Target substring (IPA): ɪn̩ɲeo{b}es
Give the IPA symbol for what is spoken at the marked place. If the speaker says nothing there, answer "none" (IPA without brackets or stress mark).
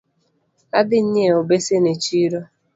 b